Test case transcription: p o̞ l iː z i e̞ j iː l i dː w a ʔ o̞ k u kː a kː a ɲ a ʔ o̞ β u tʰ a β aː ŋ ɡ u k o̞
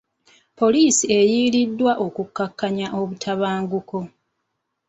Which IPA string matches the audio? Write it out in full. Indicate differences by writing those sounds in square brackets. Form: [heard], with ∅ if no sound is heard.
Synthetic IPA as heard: p o̞ l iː [s] i e̞ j iː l i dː w a ʔ o̞ k u kː a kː a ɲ a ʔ o̞ β u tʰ a β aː ŋ ɡ u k o̞